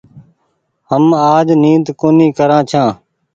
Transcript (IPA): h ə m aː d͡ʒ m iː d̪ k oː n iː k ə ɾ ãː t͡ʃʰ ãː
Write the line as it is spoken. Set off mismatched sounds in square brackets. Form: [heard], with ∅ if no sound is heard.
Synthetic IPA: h ə m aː d͡ʒ [n] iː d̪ k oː n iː k ə ɾ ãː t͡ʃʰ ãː